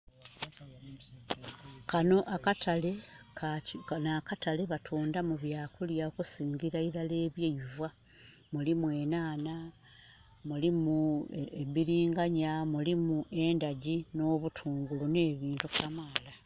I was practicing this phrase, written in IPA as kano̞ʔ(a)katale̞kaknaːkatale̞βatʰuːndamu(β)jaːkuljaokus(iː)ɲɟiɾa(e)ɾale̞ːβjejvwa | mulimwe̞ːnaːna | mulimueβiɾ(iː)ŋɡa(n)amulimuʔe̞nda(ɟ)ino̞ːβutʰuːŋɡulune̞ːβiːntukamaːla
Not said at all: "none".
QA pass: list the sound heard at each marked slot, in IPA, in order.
a, β, iː, i, iː, ɲ, ɟ

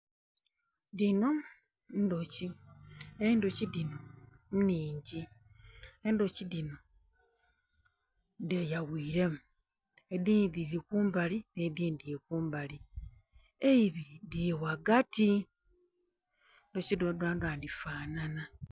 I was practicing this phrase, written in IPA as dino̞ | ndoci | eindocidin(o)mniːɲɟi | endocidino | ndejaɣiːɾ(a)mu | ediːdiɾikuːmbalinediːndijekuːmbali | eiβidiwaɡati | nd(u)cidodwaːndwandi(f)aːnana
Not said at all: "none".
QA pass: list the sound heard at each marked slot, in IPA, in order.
o, e, o, f

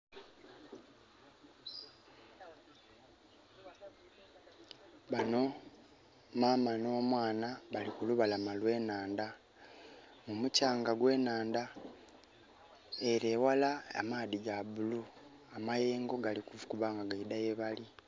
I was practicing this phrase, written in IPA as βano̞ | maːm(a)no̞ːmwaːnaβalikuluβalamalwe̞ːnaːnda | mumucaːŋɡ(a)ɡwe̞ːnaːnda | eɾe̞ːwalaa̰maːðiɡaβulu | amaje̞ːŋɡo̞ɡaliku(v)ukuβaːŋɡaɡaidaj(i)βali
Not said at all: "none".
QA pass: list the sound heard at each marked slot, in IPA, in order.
a, a, v, e

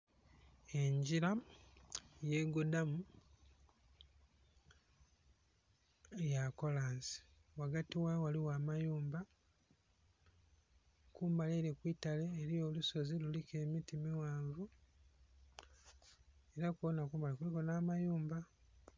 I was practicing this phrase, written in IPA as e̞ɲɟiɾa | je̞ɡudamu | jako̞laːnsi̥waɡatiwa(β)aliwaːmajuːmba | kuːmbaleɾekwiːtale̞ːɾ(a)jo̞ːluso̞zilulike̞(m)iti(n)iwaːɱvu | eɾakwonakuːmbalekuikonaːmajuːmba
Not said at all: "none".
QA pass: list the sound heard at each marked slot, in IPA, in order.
w, i, m, m

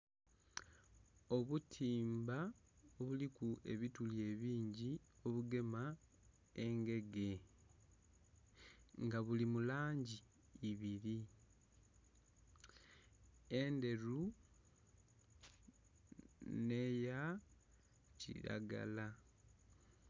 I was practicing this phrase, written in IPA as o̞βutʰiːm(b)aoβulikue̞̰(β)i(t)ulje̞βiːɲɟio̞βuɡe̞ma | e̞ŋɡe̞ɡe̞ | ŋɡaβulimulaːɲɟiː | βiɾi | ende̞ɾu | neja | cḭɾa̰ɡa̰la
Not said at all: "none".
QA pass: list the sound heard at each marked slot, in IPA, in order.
b, β, t

